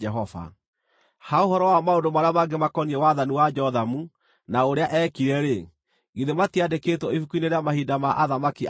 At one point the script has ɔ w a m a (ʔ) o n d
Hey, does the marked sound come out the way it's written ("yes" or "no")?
no